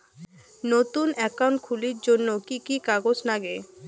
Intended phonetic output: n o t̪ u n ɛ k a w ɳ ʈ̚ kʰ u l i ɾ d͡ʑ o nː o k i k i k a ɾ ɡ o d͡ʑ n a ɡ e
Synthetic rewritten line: n o t̪ u n ɛ k a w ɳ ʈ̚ kʰ u l i ɾ d͡ʑ o nː o k i k i k a ɡ o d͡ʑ n a ɡ e